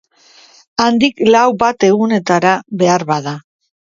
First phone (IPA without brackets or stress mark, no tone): a